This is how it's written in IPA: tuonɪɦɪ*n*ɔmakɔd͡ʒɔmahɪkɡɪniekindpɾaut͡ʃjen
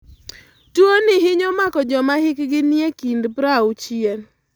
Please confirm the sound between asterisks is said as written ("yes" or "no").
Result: no